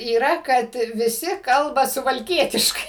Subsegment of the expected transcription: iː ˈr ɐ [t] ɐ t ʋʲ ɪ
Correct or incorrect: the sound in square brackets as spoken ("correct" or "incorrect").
incorrect